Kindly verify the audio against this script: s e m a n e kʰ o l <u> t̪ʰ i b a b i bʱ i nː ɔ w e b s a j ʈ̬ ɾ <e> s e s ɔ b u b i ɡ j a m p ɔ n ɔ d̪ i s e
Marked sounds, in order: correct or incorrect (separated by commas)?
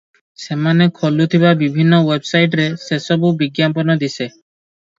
correct, correct